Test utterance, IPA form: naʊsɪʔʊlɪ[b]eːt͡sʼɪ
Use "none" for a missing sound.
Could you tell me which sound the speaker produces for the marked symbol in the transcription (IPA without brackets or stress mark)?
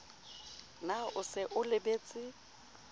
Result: b